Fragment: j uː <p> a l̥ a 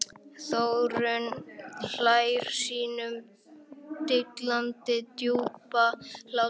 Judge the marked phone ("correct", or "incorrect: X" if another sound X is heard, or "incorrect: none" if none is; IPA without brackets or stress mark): correct